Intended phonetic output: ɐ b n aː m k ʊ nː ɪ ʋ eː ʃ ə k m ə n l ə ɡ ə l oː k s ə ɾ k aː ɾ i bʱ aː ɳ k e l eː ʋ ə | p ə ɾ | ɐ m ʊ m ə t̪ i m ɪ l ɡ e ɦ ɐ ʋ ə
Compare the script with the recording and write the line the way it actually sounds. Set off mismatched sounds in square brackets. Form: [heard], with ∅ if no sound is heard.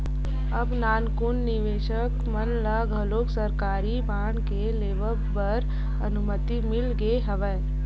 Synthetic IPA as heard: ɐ b n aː [n] k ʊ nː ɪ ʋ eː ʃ ə k m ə n l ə ɡ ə l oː k s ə ɾ k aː ɾ i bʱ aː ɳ k e l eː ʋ ə | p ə ɾ | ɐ [n] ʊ m ə t̪ i m ɪ l ɡ e ɦ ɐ ʋ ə